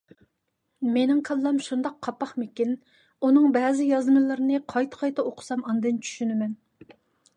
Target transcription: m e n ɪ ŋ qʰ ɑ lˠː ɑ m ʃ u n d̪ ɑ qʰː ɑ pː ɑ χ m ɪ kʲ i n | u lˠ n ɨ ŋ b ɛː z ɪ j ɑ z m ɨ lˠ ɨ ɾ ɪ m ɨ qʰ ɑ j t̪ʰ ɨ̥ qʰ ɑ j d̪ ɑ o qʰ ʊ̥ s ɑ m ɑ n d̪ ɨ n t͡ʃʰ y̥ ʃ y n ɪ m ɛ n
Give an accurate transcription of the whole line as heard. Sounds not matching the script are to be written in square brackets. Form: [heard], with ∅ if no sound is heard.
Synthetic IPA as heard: m e n ɪ ŋ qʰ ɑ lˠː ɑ m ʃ u n d̪ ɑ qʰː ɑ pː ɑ χ m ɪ kʲ i n | u [∅] n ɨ ŋ b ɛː z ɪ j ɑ z m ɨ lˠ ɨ ɾ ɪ [n] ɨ qʰ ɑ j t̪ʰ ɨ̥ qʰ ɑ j [t̪] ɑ o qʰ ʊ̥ s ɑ m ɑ n d̪ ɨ n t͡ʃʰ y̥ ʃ y n ɪ m ɛ n